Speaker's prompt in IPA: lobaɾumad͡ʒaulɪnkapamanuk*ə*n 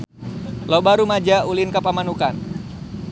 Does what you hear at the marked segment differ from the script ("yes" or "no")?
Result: yes